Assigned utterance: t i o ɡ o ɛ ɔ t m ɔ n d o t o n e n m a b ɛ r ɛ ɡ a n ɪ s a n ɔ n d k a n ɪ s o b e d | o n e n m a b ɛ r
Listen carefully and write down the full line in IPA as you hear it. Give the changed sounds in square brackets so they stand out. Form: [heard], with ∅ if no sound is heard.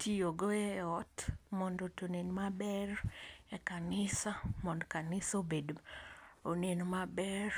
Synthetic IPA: t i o ɡ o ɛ ɔ t m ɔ n d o t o n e n m a b ɛ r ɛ [k] a n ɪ s a [m] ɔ n d k a n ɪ s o b e d | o n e n m a b ɛ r